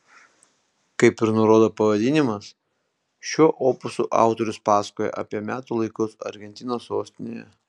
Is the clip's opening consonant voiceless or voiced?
voiceless